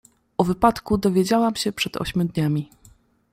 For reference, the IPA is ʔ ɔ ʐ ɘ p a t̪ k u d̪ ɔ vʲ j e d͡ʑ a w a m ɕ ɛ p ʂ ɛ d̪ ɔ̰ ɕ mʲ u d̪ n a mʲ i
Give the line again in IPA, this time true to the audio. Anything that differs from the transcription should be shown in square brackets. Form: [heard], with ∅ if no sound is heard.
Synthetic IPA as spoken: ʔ ɔ [v] ɘ p a t̪ k u d̪ ɔ vʲ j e d͡ʑ a w a m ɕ ɛ p ʂ ɛ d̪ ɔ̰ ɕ mʲ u d̪ [ɲ] a mʲ i